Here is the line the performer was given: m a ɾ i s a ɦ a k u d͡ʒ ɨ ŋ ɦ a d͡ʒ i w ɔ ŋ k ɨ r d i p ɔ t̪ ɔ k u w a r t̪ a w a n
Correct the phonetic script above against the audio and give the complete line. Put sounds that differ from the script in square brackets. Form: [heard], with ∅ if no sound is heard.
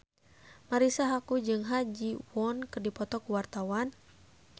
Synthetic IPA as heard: m a ɾ i s a ɦ a k u d͡ʒ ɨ ŋ ɦ a d͡ʒ i w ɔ [n] k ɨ r d i p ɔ t̪ ɔ k u w a r t̪ a w a n